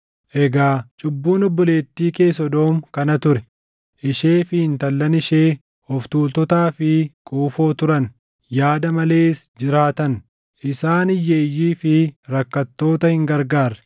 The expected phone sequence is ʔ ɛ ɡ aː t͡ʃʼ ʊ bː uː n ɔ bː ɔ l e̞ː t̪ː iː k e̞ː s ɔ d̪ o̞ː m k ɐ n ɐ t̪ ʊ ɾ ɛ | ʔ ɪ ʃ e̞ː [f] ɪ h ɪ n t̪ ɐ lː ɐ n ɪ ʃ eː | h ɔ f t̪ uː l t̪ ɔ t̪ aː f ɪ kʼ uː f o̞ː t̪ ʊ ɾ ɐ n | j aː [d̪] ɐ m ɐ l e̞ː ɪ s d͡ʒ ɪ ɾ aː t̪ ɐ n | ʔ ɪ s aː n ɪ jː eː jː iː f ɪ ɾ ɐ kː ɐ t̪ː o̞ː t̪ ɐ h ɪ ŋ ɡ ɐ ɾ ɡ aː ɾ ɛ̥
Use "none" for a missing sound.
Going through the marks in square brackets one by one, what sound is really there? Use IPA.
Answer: f, d̪

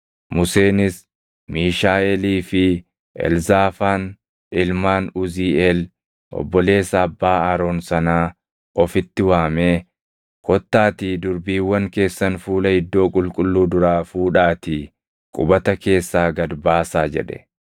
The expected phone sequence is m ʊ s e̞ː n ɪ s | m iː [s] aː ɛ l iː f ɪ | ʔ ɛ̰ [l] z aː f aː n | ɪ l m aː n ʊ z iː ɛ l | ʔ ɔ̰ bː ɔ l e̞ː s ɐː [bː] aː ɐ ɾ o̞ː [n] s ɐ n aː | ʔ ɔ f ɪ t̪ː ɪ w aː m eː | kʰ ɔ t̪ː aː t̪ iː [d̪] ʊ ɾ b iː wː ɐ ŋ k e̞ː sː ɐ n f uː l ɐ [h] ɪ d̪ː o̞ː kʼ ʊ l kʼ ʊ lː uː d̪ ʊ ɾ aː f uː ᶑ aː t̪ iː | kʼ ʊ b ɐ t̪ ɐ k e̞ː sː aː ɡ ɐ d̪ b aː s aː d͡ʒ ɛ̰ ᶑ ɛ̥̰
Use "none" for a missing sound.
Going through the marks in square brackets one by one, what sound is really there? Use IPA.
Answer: ʃ, l, bː, n, d̪, h

